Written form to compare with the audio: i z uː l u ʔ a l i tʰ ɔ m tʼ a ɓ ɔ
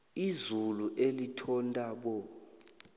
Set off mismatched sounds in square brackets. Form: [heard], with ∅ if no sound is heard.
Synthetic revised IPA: i z [u] l u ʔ [e] l i tʰ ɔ [n] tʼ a ɓ ɔ